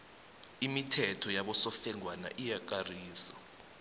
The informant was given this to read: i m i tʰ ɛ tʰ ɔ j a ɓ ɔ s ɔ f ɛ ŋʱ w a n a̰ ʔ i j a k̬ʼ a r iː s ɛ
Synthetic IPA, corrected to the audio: i m i tʰ ɛ tʰ ɔ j a ɓ ɔ s ɔ f ɛ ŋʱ w a n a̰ ʔ i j a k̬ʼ a r iː s a